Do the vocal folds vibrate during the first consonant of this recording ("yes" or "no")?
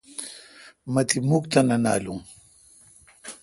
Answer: yes